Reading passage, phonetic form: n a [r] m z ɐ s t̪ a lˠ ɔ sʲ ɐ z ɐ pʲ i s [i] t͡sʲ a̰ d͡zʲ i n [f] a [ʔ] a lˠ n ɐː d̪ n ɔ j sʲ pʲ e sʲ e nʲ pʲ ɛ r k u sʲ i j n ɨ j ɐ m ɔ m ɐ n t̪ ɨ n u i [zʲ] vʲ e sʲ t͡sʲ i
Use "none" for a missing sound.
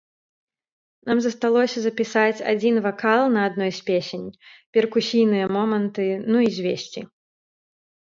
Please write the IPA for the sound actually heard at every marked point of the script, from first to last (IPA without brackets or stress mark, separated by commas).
none, a, v, k, zʲ